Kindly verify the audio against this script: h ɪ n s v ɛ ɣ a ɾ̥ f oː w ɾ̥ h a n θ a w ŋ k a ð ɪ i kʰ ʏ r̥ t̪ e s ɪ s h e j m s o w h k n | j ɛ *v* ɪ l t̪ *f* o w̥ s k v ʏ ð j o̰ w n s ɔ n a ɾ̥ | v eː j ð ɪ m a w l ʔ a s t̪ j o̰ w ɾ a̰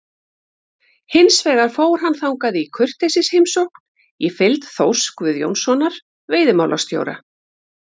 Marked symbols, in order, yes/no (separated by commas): no, no